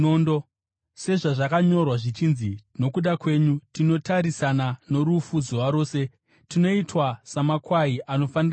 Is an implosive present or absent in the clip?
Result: present